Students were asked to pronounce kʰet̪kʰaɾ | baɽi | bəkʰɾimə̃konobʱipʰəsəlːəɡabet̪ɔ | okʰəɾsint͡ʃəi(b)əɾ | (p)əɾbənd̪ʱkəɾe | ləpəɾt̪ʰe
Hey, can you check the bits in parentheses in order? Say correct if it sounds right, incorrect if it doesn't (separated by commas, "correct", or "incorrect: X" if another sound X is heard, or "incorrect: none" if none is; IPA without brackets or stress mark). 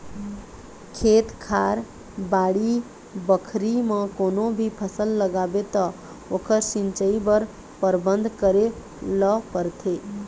correct, correct